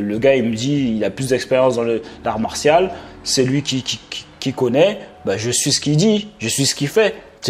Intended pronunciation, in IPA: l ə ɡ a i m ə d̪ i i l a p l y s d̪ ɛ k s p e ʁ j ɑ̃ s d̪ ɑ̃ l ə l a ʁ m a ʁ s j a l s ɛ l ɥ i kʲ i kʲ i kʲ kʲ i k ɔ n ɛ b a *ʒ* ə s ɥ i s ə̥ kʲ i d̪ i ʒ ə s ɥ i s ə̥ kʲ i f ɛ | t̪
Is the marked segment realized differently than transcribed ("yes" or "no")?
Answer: no